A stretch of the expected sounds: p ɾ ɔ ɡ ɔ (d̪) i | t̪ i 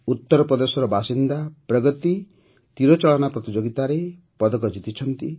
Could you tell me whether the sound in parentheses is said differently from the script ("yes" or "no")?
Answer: yes